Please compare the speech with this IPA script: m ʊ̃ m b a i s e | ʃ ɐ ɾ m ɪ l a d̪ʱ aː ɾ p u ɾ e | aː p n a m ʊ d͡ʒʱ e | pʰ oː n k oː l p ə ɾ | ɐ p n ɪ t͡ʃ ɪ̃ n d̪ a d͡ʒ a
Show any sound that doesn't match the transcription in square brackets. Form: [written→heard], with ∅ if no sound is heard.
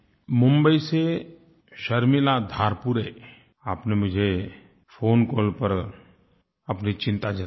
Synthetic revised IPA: m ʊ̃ m b [a→ə] i s e | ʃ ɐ ɾ m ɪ l a d̪ʱ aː ɾ p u ɾ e | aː p n [a→e] m ʊ d͡ʒʱ e | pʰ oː n k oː l p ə ɾ | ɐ p n [ɪ→i] t͡ʃ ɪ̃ n [d̪→t̪] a d͡ʒ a

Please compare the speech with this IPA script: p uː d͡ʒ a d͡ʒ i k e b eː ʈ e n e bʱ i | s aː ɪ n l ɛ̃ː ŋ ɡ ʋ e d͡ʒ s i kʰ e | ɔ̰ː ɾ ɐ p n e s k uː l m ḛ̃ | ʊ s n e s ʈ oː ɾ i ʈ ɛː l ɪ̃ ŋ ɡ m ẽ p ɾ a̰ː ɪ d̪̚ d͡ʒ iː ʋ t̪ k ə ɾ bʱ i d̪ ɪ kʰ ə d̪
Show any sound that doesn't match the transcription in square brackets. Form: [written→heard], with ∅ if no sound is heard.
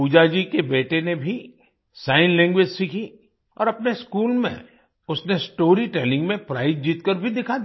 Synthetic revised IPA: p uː d͡ʒ a d͡ʒ i k e b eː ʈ e n e bʱ i | s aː ɪ n l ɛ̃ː ŋ ɡ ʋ e d͡ʒ s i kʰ [e→i] | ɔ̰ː ɾ ɐ p n e s k uː l m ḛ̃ | ʊ s n e s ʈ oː ɾ i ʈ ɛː l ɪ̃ ŋ ɡ m ẽ p ɾ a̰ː ɪ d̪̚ d͡ʒ iː [ʋ→∅] t̪ k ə ɾ bʱ i d̪ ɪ kʰ [ə→a] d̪

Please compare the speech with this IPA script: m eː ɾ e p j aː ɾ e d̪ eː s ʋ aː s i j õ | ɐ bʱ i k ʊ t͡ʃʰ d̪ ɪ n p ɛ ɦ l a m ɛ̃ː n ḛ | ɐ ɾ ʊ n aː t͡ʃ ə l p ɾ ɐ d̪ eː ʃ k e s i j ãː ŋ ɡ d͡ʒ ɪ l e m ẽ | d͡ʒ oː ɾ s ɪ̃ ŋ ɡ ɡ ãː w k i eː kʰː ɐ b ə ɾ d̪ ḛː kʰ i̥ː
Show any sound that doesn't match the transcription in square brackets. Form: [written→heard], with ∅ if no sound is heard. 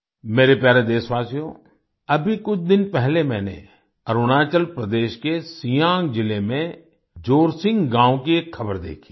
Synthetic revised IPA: m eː ɾ e p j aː ɾ e d̪ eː s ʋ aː s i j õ | ɐ bʱ i k ʊ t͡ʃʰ d̪ ɪ n p ɛ ɦ l [a→e] m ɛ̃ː n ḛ | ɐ ɾ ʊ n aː t͡ʃ ə l p ɾ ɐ d̪ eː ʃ k e s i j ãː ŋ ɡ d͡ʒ ɪ l e m ẽ | d͡ʒ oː ɾ s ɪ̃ ŋ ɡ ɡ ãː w k i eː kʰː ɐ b ə ɾ d̪ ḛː kʰ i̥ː

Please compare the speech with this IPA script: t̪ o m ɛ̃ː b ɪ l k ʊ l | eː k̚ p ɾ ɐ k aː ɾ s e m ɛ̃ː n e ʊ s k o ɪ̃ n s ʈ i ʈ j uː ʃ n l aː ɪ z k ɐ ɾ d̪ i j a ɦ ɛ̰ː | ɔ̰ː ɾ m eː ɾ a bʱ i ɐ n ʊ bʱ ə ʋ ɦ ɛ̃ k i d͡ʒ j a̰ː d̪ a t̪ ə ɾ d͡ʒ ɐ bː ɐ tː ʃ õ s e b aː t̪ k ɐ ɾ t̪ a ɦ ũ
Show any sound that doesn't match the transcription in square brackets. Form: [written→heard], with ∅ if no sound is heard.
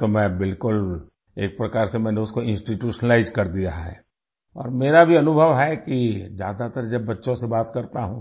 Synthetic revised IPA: t̪ o m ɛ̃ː b ɪ l k ʊ l | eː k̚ p ɾ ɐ k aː ɾ s e m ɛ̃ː n e ʊ s k o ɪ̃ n s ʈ i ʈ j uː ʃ n l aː ɪ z k ɐ ɾ d̪ i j a ɦ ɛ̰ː | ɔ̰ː ɾ m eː ɾ a bʱ i ɐ n ʊ bʱ ə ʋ ɦ [ɛ̃→ɛ] k i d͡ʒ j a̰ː d̪ a t̪ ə ɾ d͡ʒ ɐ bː ɐ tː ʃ õ s e b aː t̪ k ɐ ɾ t̪ a ɦ ũ

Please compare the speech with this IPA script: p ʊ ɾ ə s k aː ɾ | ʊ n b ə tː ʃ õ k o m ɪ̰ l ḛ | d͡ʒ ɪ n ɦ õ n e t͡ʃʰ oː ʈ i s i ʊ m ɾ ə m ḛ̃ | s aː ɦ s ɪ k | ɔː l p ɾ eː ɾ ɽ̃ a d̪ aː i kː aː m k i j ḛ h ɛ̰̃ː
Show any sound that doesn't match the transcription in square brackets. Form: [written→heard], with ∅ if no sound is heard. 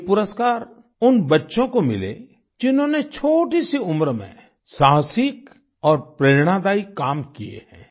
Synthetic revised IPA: p ʊ ɾ ə s k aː ɾ | ʊ n b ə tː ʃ õ k o m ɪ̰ l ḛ | d͡ʒ ɪ n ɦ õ n e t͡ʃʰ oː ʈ i s i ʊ m ɾ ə m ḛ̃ | s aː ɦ s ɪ k | ɔː [l→ɾ] p ɾ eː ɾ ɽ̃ a d̪ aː i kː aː m k i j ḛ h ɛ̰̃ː

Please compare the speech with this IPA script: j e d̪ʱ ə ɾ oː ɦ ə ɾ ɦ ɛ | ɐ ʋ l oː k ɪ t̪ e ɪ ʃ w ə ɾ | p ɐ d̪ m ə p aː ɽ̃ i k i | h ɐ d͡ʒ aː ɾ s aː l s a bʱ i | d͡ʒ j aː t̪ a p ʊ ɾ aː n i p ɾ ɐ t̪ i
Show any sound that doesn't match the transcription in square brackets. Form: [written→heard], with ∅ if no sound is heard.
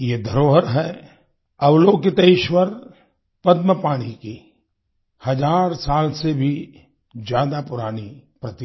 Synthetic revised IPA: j e d̪ʱ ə ɾ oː ɦ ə ɾ ɦ ɛ | ɐ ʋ l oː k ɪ t̪ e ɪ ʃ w ə ɾ | p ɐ d̪ m ə p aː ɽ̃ i k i | h ɐ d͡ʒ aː ɾ s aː l s [a→e] bʱ i | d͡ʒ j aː [t̪→d̪] a p ʊ ɾ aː n i p ɾ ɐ t̪ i

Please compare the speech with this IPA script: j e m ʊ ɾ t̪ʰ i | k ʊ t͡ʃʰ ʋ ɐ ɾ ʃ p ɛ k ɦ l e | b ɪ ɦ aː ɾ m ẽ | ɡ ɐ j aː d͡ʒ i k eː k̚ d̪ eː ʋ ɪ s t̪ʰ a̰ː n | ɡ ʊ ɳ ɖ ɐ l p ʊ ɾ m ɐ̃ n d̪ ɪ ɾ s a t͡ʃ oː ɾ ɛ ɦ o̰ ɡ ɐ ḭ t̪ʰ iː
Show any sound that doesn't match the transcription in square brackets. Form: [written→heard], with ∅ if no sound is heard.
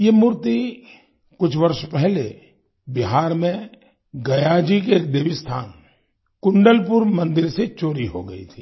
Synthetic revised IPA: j e m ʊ ɾ [t̪ʰ→t̪] i | k ʊ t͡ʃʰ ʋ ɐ ɾ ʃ p ɛ [k→∅] ɦ l e | b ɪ ɦ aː ɾ m ẽ | ɡ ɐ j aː d͡ʒ i k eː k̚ d̪ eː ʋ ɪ s t̪ʰ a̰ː n | [ɡ→k] ʊ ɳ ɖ [ɐ→ə] l p ʊ ɾ m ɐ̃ n d̪ ɪ ɾ s [a→e] t͡ʃ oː ɾ [ɛ→i] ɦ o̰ ɡ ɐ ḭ t̪ʰ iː

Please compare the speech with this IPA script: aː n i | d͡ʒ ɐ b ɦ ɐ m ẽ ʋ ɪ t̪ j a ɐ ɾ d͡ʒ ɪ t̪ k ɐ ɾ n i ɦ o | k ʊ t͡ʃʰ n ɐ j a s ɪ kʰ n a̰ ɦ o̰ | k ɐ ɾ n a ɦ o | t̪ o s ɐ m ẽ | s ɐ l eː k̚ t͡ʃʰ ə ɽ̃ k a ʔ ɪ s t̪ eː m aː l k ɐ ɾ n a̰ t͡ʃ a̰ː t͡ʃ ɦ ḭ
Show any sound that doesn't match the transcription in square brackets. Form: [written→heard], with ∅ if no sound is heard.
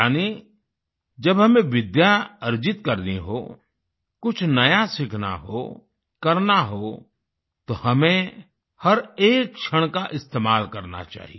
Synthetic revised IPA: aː n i | d͡ʒ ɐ b ɦ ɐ m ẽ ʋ ɪ [t̪→d̪] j a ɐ ɾ d͡ʒ ɪ t̪ k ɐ ɾ n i ɦ o | k ʊ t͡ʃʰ n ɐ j a s ɪ kʰ n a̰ ɦ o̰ | k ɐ ɾ n a ɦ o | t̪ o [s→h] ɐ m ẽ | [s→h] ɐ [l→ɾ] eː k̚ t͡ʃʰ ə ɽ̃ k a ʔ ɪ s t̪ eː m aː l k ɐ ɾ n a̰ t͡ʃ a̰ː [t͡ʃ→∅] ɦ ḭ

